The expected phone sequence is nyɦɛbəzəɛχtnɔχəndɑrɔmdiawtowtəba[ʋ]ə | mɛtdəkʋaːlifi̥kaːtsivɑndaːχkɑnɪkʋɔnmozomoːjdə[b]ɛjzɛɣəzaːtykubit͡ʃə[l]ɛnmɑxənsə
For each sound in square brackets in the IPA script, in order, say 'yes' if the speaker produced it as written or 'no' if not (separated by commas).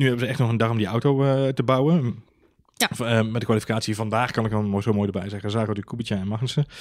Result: no, yes, no